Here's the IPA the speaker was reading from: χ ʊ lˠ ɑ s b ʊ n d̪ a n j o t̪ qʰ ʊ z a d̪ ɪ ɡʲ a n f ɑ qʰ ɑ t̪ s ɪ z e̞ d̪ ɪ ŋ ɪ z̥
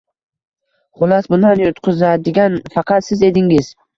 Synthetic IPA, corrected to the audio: χ ʊ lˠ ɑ s b ʊ n d̪ a n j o t̪ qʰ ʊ z a d̪ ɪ ɡʲ a n f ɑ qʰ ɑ t̪ s ɪ z e̞ d̪ ɪ ŋ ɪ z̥